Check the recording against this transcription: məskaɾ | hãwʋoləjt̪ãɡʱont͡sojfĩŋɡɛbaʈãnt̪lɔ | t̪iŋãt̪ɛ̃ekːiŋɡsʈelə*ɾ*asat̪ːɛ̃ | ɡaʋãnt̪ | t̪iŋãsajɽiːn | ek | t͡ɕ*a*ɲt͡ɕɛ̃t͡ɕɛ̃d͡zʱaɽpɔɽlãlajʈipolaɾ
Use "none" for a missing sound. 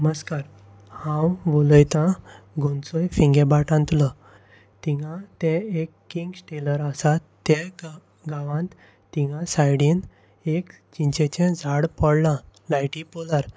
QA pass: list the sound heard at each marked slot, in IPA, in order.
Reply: ɾ, i

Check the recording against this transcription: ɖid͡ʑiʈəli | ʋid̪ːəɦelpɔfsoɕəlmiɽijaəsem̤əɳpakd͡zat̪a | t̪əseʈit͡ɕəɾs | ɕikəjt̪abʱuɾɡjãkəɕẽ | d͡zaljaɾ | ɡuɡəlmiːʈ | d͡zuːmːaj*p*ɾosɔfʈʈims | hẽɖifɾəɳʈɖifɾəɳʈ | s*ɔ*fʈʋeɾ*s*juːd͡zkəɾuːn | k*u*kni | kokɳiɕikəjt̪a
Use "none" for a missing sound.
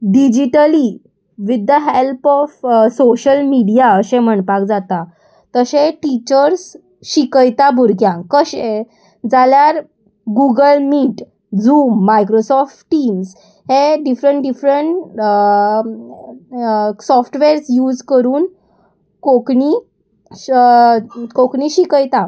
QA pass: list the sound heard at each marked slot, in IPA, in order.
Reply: k, ɔ, s, o

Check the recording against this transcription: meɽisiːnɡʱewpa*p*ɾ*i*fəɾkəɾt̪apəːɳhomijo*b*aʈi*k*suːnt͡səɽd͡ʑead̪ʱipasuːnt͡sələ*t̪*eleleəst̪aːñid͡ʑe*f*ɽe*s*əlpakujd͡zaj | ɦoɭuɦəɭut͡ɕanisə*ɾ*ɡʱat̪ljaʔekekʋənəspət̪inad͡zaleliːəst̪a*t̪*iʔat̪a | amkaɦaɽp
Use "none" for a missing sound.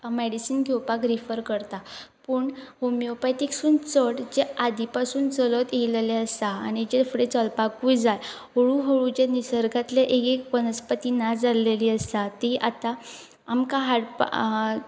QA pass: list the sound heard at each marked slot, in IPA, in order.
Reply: k, i, p, k, t̪, f, t͡s, ɾ, t̪

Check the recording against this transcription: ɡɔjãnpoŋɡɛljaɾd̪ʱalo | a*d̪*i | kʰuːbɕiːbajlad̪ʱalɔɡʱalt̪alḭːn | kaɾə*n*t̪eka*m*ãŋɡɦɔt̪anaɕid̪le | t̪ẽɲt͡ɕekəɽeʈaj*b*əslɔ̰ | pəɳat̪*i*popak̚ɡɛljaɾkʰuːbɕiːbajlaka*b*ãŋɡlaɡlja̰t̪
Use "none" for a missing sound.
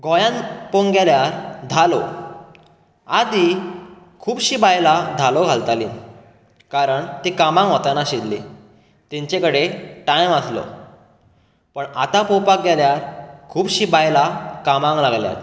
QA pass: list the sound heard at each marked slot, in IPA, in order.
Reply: d̪, ɳ, m, m, a, m

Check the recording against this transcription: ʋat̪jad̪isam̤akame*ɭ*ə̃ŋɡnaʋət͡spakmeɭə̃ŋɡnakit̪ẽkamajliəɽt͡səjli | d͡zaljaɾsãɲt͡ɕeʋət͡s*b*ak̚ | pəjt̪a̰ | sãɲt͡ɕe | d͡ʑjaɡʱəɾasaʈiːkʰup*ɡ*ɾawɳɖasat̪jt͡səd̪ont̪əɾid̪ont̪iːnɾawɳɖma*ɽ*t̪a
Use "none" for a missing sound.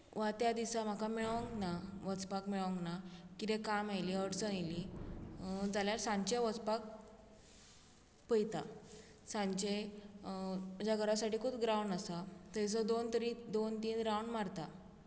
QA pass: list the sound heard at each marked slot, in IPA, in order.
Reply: ɭ, p, ɡ, ɾ

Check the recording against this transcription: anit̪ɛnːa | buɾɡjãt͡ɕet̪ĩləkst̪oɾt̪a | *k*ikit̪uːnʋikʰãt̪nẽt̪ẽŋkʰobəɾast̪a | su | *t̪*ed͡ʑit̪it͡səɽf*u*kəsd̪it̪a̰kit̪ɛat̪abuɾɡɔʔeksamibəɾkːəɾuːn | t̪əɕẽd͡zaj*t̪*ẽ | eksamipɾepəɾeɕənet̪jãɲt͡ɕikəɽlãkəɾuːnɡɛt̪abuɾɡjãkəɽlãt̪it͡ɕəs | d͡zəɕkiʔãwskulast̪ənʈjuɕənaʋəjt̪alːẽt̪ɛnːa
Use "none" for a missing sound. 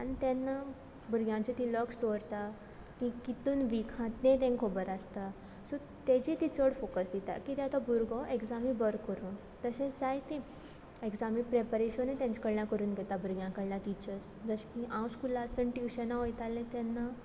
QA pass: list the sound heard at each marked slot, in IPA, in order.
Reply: k, t̪, o, t̪

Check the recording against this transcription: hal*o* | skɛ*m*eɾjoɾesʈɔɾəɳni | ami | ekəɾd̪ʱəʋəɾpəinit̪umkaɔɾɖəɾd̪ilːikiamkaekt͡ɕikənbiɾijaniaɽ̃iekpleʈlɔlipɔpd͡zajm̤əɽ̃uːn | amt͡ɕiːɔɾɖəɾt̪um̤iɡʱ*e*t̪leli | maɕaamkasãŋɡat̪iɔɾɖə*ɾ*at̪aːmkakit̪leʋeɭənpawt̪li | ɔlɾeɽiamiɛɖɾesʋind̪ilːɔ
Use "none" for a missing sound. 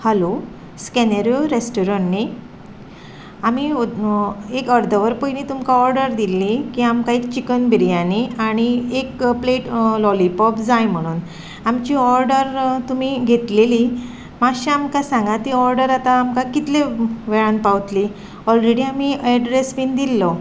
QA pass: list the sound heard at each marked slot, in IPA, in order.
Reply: o, n, e, ɾ

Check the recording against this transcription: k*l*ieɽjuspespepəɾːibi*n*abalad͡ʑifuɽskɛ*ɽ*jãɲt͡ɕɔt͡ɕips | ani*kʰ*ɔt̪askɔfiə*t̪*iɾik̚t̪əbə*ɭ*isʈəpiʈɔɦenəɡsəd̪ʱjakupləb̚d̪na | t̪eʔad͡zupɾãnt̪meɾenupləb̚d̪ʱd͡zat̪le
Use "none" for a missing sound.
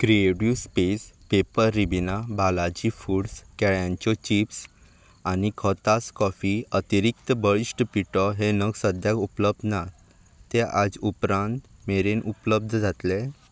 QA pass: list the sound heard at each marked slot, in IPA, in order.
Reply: ɾ, n, ɭ, kʰ, t̪, ɭ

